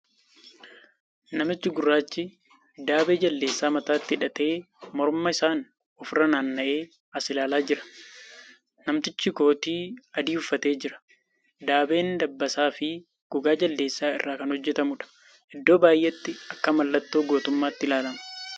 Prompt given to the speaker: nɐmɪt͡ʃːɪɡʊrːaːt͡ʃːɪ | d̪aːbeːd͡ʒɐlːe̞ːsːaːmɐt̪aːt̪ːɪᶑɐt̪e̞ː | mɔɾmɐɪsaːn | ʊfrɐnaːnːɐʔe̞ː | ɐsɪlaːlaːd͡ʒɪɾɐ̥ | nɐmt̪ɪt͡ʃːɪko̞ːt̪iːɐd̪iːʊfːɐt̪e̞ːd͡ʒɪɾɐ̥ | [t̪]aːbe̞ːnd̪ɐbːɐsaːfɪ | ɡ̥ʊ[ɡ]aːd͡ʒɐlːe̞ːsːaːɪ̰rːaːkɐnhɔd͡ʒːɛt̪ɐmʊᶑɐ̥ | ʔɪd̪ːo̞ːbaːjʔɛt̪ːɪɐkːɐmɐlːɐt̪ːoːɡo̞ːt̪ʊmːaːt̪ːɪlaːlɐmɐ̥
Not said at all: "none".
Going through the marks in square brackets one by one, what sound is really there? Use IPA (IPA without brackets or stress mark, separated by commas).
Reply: d̪, ɡ